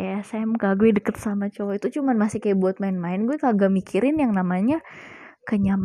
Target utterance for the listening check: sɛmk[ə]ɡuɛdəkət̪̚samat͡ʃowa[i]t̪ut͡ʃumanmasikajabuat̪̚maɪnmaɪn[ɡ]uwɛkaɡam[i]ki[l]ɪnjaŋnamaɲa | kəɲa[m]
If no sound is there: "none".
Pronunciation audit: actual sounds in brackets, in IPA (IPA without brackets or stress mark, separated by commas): a, i, ɡ, i, ɾ, m